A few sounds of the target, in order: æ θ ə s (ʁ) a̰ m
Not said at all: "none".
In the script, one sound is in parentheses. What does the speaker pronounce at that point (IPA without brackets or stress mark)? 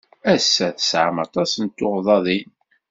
ʕ